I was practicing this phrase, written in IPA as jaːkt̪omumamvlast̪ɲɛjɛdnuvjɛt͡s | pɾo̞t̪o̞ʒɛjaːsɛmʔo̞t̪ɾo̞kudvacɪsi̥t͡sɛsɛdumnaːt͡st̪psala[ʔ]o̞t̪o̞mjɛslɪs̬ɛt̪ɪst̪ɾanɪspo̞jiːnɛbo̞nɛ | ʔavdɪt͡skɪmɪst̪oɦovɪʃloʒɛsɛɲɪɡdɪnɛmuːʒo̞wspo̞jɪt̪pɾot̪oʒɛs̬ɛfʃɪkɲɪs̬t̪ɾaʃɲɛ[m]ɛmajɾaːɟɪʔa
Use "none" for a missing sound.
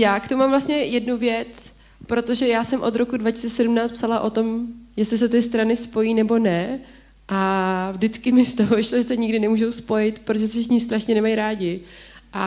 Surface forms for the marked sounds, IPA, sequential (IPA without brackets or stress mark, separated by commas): ʔ, n